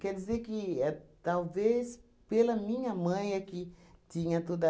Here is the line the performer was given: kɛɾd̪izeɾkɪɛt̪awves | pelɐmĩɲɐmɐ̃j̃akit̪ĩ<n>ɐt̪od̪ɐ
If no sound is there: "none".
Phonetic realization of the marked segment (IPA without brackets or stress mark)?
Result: ɲ